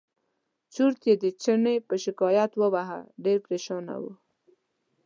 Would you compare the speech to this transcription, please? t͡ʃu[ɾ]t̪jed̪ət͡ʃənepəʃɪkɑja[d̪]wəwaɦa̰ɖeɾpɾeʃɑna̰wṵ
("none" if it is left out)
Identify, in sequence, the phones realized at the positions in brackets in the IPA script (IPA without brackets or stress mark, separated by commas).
ɾ, t̪